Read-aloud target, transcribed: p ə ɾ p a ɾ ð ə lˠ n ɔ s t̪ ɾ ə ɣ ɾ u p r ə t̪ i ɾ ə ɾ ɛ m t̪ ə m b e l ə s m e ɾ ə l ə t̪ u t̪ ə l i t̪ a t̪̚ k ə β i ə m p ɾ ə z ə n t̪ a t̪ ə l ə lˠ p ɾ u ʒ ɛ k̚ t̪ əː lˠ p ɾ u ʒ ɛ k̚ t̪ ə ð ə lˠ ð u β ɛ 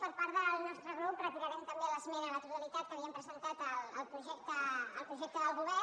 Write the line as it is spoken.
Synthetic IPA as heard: p ə ɾ p a ɾ ð ə lˠ n ɔ s t̪ ɾ ə ɣ ɾ u p r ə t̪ i ɾ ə ɾ ɛ m t̪ ə m b e l ə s m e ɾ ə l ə t̪ u t̪ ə l i t̪ a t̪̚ k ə β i ə m p ɾ ə z ə n t̪ a t̪ ə l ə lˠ p ɾ u ʒ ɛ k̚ t̪ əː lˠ p ɾ u ʒ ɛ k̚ t̪ ə ð ə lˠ ɣ u β ɛ

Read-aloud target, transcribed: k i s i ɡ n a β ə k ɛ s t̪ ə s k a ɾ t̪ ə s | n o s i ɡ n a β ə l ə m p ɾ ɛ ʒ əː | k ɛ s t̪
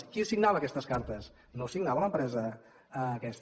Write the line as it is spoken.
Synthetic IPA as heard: k i s i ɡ n a β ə k ɛ s t̪ ə s k a ɾ t̪ ə s | n o s i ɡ n a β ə l ə m p ɾ ɛ z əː | k ɛ s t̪

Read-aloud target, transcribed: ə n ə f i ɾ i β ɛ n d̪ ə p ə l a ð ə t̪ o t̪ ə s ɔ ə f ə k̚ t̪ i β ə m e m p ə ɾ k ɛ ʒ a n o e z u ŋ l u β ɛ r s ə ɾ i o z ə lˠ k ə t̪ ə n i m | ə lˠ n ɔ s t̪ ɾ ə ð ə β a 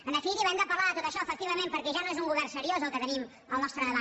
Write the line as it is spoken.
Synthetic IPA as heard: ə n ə f i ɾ i β ɛ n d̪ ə p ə l a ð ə t̪ o t̪ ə ʃ ɔ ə f ə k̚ t̪ i β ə m e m p ə ɾ k ɛ ʒ a n o e z u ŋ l u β ɛ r s ə ɾ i o z ə lˠ k ə t̪ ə n i m | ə lˠ n ɔ s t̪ ɾ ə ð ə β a

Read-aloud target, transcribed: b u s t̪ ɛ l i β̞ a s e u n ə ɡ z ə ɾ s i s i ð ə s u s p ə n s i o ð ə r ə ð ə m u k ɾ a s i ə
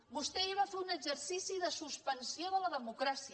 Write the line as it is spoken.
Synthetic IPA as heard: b u s t̪ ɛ i β̞ a f e u n ə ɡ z ə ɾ s i s i ð ə s u s p ə n s i o ð ə l ə ð ə m u k ɾ a s i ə

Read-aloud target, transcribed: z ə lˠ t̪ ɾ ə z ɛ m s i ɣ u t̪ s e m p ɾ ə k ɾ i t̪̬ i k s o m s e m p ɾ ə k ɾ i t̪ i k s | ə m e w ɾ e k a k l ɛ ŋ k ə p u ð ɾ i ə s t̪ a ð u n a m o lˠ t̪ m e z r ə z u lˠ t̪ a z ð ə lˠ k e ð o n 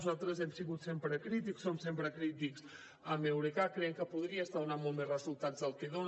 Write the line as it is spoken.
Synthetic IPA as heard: z a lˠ t̪ ɾ ə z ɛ m s i ɣ u t̪ s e m p ɾ ə k ɾ i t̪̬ i k s o m s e m p ɾ ə k ɾ i t̪ i k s | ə m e w ɾ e k a k ɾ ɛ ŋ k ə p u ð ɾ i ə s t̪ a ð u n a m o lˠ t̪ m e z r ə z u lˠ t̪ a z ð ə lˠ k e ð o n

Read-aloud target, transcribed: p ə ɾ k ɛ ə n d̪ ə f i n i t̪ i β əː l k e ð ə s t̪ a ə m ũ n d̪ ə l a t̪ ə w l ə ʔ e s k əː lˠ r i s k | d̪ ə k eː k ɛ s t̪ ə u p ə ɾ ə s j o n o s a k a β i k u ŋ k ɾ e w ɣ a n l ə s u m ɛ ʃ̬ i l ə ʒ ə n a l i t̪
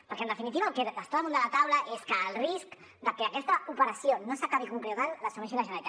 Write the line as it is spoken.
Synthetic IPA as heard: p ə ɾ k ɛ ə n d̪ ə f i n i t̪ i β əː l k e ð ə s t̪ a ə m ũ n d̪ ə l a t̪ a w l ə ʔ e s k əː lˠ r i s k | d̪ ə k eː k ɛ s t̪ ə u p ə ɾ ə s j o n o s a k a β i k u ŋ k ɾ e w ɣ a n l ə s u m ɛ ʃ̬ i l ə ʒ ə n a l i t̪

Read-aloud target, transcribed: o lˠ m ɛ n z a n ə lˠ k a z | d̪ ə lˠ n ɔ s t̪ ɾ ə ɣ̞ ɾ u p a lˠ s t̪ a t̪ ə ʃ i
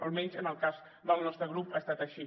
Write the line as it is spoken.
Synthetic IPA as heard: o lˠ m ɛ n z ə n ə lˠ k a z | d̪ ə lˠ n ɔ s t̪ ɾ ə ɣ̞ ɾ u p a s t̪ a t̪ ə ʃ i

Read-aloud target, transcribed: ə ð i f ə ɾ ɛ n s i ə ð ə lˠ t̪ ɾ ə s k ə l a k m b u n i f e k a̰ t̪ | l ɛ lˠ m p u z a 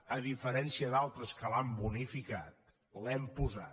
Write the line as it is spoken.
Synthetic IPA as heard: ə ð i f ə ɾ ɛ n s i ə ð a lˠ t̪ ɾ ə s k ə l a m b u n i f i k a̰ t̪ | l ɛ m p u z a

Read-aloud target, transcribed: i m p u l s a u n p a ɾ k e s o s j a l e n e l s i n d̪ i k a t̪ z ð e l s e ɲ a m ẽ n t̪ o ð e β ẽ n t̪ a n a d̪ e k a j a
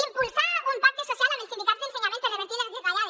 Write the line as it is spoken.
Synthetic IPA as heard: i m p u l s a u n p a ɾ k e s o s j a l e n e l s i n d̪ i k a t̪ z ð e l s e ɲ a m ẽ n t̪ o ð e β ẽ n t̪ i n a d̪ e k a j a

